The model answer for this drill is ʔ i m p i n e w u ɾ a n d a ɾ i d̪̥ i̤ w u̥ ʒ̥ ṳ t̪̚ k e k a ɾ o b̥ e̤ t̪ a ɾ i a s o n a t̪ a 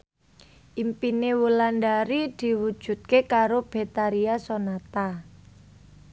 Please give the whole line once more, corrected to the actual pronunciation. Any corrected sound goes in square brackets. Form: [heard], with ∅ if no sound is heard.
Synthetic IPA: ʔ i m p i n e w u [l] a n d a ɾ i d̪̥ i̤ w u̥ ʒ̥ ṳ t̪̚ k e k a ɾ o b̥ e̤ t̪ a ɾ i a s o n a t̪ a